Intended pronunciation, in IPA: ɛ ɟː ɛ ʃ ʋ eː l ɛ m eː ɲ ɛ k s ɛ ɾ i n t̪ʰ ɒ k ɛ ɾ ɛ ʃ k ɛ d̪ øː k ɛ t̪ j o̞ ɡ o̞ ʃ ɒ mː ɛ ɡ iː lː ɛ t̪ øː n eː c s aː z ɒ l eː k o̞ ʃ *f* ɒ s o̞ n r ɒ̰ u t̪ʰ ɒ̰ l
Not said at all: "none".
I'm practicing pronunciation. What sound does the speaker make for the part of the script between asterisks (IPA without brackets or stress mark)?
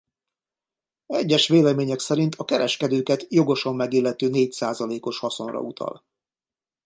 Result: h